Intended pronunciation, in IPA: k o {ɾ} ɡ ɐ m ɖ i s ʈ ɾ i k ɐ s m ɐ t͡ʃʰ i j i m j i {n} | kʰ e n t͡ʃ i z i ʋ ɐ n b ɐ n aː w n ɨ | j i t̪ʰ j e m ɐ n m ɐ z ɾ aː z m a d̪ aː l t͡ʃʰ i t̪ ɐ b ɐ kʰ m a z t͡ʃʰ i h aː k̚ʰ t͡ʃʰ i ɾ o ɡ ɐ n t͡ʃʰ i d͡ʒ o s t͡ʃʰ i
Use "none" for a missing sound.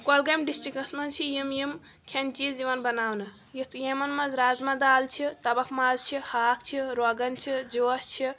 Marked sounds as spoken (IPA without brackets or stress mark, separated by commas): l, m